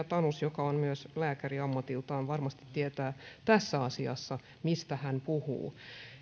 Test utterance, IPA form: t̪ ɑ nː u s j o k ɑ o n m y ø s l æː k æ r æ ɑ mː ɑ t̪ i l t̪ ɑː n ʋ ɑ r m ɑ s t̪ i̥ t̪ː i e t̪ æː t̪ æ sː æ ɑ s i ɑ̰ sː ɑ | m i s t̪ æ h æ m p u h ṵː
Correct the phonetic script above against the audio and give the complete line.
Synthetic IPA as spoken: t̪ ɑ n u s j o k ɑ o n m y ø s l æː k æ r i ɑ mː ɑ t̪ i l t̪ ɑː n ʋ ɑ r m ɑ s t̪ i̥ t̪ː i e t̪ æː t̪ æ sː æ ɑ s i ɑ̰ sː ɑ | m i s t̪ æ h æ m p u h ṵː